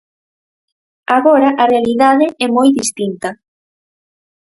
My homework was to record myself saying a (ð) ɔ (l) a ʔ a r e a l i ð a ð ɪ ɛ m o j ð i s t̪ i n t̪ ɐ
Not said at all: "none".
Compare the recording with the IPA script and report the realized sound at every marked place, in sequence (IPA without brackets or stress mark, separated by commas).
ɣ, ɾ